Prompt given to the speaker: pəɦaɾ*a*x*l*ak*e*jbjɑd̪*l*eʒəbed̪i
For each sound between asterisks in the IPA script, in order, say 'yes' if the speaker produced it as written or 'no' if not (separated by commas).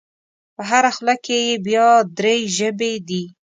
yes, yes, yes, no